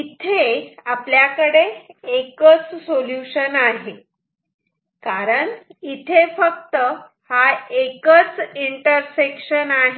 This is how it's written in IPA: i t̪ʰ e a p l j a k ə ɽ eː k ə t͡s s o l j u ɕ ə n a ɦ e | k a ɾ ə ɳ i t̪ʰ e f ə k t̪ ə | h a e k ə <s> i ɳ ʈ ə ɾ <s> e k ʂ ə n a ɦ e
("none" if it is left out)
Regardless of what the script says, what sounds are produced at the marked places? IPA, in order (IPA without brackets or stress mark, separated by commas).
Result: t͡s, s